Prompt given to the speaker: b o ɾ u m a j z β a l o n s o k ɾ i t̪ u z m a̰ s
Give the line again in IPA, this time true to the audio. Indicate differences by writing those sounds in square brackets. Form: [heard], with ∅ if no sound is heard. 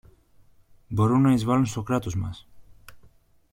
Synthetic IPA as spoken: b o ɾ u [n] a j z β a l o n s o k ɾ [a] t̪ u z m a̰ s